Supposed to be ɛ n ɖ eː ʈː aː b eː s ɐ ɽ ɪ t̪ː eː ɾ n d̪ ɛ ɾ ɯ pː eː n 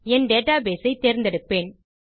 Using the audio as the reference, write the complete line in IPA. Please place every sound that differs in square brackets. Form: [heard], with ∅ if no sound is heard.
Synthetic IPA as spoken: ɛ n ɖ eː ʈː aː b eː s ɐ [∅] ɪ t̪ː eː ɾ n d̪ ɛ [ɽ] ɯ pː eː n